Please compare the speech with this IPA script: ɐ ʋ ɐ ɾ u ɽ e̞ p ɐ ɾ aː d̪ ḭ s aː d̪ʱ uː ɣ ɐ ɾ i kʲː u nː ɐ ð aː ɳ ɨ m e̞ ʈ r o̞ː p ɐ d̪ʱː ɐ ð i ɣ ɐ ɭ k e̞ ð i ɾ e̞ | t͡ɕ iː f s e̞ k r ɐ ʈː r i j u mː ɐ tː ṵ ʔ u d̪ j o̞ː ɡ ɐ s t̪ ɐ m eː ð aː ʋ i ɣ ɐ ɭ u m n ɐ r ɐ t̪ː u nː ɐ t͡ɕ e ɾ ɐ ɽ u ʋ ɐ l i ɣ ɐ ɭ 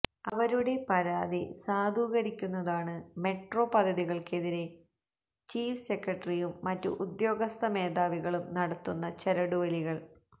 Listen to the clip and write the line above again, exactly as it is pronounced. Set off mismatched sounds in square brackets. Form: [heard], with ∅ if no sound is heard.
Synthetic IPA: ɐ ʋ ɐ ɾ u ɽ e̞ p ɐ ɾ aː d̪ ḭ s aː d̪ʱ uː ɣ ɐ ɾ i kʲː u nː ɐ ð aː ɳ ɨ m e̞ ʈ r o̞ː p ɐ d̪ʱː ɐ ð i ɣ ɐ ɭ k e̞ ð i ɾ e̞ | t͡ɕ iː f s e̞ k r ɐ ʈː r i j u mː ɐ tː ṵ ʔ u d̪ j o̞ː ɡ ɐ s t̪ ɐ m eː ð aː ʋ i ɣ ɐ ɭ u m n ɐ [ɽ] ɐ t̪ː u nː ɐ t͡ɕ e ɾ ɐ ɽ u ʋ ɐ l i ɣ ɐ ɭ